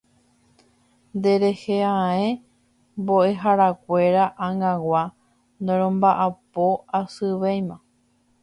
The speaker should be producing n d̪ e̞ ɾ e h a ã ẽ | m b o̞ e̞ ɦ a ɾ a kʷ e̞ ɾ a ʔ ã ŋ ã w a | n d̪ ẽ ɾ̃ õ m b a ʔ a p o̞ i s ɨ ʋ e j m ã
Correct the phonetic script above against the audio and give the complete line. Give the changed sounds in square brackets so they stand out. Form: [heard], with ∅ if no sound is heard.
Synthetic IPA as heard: n d̪ e̞ ɾ e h [e] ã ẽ | m b o̞ e̞ ɦ a ɾ a kʷ e̞ ɾ a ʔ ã ŋ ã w a | n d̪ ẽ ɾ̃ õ m b a ʔ a p o̞ [a] s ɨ ʋ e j m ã

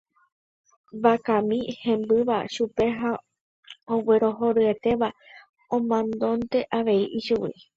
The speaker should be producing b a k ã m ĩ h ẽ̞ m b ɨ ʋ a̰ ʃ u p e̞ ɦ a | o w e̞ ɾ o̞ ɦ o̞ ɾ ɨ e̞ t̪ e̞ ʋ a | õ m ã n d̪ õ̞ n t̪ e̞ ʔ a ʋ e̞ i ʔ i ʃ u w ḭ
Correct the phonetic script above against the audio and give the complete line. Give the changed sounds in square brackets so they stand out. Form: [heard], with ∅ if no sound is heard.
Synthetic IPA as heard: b a k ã m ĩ h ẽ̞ m b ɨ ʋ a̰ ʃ u p e̞ ɦ a | o w e̞ ɾ o̞ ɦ o̞ ɾ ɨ e̞ t̪ e̞ ʋ a | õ m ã n d̪ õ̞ n t̪ e̞ ʔ a ʋ e̞ i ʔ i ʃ u w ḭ

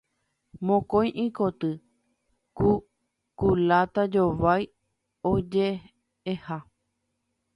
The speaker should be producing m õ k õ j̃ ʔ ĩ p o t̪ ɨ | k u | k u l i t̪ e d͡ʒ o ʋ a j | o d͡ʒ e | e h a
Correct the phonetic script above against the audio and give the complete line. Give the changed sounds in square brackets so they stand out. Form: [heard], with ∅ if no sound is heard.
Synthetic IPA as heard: m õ k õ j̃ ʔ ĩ [k] o t̪ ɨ | k u | k u l [a] t̪ [a] d͡ʒ o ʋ a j | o d͡ʒ e | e h a

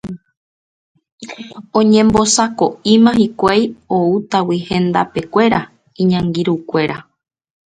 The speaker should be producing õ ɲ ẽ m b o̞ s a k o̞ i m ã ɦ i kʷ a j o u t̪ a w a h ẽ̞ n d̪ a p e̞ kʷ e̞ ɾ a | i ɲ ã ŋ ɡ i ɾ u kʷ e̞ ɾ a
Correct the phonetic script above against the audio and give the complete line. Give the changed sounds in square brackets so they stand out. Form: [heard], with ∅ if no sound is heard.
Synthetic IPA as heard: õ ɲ ẽ m b o̞ s a k o̞ i m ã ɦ i kʷ a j o u t̪ a w [i] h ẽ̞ n d̪ a p e̞ kʷ e̞ ɾ a | i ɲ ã ŋ ɡ i ɾ u kʷ e̞ ɾ a

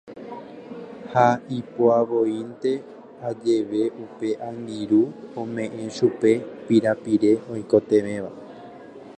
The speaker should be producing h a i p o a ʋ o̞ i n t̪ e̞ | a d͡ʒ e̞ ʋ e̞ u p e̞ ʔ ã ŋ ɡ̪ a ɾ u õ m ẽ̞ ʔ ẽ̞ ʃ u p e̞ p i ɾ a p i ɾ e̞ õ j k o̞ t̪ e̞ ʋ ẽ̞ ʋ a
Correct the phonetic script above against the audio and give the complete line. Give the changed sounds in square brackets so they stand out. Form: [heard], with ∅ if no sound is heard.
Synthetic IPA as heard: h a i p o a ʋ o̞ i n t̪ e̞ | a d͡ʒ e̞ ʋ e̞ u p e̞ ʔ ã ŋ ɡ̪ [i] ɾ u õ m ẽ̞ ʔ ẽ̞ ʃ u p e̞ p i ɾ a p i ɾ e̞ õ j k o̞ t̪ e̞ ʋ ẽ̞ ʋ a

